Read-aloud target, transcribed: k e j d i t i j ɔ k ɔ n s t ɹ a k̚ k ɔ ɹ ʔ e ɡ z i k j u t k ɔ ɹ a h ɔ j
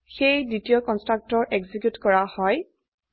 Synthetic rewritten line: x e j d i t i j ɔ k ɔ n s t ɹ a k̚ t ɔ ɹ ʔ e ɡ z i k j u t k ɔ ɹ a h ɔ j